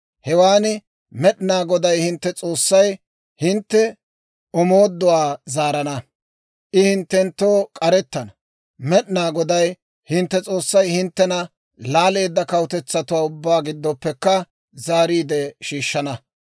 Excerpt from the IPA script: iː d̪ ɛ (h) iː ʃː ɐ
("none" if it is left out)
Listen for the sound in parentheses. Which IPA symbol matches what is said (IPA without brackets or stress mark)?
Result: ʃ